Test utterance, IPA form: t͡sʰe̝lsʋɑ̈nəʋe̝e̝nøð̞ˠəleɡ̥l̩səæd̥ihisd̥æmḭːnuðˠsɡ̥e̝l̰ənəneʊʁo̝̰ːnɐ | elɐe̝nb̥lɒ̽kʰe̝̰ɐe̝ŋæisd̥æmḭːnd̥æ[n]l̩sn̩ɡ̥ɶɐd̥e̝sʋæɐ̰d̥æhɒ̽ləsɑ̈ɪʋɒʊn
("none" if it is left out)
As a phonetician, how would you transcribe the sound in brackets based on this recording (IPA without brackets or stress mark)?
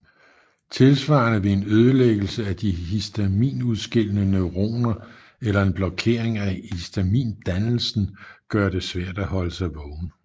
n